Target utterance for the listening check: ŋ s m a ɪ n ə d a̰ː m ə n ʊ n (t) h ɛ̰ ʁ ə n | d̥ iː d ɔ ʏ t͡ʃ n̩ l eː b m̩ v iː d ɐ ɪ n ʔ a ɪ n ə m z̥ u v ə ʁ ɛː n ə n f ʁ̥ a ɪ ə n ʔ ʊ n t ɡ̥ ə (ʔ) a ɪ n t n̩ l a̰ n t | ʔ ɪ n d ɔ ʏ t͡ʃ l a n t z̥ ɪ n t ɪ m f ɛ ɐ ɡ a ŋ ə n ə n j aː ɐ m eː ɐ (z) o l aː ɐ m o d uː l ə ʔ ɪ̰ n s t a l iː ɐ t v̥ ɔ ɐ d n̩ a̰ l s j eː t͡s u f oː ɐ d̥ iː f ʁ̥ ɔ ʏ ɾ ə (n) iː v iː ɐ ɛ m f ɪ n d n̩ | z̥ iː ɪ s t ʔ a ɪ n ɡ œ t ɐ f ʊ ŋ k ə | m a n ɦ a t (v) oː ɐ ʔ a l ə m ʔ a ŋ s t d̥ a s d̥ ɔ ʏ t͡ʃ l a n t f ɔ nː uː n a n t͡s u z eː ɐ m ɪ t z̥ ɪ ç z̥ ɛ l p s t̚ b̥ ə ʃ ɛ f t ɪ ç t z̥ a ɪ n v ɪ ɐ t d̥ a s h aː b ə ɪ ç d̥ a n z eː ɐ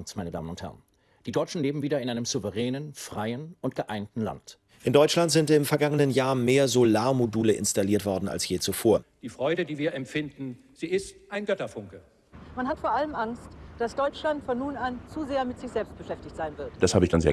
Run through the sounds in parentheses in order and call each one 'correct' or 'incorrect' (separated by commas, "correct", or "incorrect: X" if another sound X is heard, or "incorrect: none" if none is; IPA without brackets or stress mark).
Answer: correct, correct, correct, incorrect: d, incorrect: f